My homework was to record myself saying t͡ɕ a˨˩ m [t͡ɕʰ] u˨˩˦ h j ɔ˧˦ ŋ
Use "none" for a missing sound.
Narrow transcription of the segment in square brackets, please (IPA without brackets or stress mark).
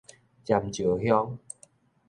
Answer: t͡ɕ